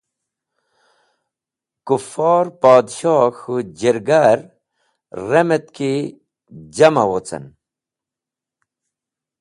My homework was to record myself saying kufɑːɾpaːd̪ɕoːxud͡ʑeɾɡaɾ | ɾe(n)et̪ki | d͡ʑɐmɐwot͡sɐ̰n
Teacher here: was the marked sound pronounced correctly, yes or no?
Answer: no